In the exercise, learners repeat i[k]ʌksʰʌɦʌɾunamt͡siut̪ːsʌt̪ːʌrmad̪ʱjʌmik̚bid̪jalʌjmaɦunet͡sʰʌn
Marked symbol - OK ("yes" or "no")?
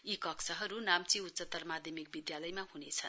yes